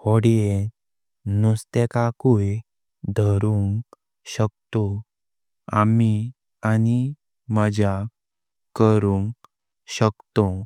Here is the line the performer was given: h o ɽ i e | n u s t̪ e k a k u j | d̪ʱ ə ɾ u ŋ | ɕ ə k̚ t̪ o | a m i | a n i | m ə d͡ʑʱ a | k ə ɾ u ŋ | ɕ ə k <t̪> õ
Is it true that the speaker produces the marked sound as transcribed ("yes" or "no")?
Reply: yes